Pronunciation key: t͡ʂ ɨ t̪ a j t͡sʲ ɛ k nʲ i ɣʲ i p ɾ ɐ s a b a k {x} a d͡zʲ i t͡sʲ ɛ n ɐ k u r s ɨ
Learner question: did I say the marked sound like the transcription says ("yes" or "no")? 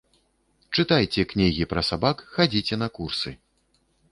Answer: yes